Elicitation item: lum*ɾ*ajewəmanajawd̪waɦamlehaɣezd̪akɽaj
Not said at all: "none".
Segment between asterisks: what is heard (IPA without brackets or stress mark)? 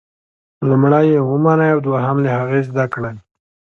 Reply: ɽ